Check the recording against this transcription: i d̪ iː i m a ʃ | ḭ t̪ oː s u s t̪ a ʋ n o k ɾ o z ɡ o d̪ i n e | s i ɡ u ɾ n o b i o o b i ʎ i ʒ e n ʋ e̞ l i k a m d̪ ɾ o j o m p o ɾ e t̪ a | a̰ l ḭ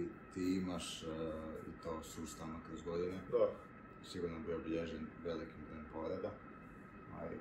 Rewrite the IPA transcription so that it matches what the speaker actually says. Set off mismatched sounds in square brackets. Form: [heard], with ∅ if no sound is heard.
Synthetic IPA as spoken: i [t̪] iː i m a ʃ | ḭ t̪ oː s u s t̪ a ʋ n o k ɾ o z ɡ o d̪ i n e | s i ɡ u ɾ n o b i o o b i ʎ [e] ʒ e n ʋ e̞ l i k [i] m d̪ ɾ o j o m p o ɾ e [d̪] a | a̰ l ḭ